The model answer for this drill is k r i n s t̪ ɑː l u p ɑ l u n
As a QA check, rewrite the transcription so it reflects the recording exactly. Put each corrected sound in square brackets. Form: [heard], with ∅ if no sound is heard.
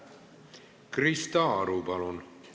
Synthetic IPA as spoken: k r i [∅] s t̪ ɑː [ɾ] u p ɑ l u n